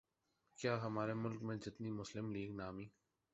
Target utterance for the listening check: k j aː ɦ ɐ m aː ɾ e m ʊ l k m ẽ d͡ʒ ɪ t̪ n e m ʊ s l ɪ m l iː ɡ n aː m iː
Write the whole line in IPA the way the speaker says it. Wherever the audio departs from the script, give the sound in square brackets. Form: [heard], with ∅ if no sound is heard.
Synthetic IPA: k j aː ɦ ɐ m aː ɾ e m ʊ l k m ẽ d͡ʒ ɪ t̪ n [i] m ʊ s l ɪ m l iː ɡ n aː m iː